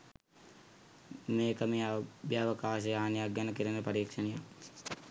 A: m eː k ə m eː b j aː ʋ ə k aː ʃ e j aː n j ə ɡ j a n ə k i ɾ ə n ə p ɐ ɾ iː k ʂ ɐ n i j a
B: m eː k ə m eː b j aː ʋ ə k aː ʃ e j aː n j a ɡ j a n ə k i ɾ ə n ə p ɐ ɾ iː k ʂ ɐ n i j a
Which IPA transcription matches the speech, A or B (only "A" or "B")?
B